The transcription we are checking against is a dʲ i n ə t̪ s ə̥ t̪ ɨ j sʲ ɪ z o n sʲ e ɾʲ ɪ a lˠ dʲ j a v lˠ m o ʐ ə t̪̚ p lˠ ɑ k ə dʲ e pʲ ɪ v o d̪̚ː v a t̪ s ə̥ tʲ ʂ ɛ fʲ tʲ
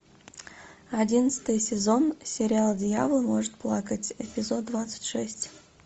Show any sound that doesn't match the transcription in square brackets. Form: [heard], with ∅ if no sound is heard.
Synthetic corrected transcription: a dʲ i n ə t̪ s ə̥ t̪ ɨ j sʲ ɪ z o n sʲ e ɾʲ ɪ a lˠ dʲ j a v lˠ m o ʐ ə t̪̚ p lˠ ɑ k ə [tʲ] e pʲ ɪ [z] o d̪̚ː v a t̪ s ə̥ tʲ ʂ ɛ [sʲ] tʲ